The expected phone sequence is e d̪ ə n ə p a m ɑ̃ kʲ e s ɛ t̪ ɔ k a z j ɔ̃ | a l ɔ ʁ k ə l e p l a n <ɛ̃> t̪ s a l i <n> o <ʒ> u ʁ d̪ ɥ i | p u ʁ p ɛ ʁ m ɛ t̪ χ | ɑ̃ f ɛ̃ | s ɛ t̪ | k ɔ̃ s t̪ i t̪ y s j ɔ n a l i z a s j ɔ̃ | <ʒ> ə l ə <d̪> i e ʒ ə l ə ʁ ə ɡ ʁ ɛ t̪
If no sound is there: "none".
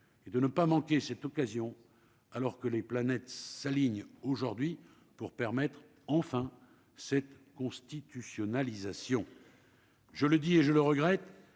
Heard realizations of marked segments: ɛ, ɲ, ʒ, ʒ, d̪

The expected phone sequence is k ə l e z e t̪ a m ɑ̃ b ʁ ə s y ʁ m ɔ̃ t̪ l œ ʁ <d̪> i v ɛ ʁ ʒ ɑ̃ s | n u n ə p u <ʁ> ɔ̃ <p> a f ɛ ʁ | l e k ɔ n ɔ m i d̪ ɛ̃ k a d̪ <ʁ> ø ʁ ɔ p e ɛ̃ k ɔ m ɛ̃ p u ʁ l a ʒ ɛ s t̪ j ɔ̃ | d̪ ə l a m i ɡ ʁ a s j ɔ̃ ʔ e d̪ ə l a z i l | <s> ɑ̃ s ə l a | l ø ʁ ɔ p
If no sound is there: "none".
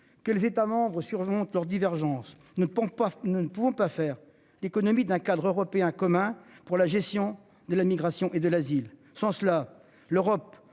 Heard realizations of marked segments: d̪, v, p, ʁ, s

